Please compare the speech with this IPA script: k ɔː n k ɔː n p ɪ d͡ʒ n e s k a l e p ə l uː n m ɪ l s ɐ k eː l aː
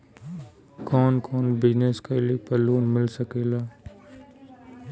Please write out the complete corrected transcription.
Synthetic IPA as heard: k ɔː n k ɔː n b ɪ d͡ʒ n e s k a l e p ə l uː n m ɪ l s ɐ k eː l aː